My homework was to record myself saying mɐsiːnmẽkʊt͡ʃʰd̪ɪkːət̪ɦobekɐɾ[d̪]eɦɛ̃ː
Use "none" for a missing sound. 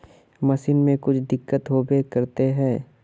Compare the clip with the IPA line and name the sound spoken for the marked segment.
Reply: t̪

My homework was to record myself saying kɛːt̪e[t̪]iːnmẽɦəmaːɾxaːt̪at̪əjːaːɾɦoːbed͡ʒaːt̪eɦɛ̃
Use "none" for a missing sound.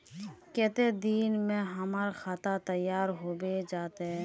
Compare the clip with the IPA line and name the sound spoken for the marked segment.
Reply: d̪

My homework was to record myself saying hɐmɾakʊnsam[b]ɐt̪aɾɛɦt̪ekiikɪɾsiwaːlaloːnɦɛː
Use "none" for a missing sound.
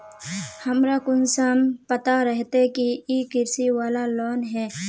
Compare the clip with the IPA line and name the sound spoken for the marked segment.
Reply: p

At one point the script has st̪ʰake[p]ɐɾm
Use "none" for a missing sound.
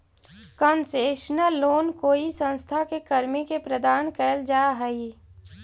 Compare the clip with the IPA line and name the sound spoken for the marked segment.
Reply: k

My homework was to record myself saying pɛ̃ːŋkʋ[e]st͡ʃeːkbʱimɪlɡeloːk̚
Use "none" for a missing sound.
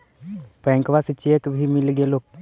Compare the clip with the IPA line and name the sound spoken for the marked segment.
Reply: a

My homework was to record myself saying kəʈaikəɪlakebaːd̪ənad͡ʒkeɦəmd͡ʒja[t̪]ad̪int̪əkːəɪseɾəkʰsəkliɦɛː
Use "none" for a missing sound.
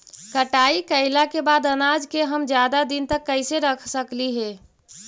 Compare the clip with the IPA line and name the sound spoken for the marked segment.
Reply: d̪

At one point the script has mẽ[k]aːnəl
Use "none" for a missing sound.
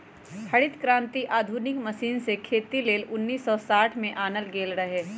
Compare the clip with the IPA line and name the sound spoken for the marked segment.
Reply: ʔ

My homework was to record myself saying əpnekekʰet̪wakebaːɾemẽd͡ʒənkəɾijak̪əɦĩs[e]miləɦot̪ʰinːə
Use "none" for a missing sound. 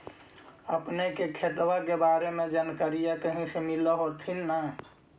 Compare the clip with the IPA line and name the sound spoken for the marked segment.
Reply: e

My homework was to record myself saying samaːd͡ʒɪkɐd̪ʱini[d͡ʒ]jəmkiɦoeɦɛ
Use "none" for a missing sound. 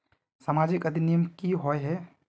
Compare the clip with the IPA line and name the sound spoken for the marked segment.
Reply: none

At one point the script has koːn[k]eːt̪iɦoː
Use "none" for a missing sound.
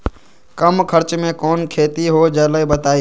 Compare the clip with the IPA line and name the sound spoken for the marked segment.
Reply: kʰ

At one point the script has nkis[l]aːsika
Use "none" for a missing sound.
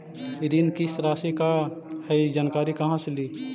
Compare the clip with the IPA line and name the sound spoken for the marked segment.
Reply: ɾ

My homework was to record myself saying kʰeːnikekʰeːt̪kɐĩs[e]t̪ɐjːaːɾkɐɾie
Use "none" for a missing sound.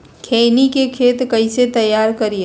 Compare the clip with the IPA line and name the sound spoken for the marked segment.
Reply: e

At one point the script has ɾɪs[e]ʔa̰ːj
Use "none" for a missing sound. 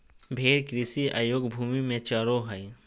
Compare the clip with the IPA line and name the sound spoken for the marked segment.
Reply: i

